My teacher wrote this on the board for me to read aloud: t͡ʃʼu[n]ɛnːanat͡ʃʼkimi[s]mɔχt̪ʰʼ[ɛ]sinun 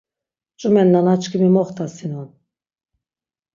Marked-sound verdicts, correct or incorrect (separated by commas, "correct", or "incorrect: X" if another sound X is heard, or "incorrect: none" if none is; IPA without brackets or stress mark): incorrect: m, incorrect: none, incorrect: a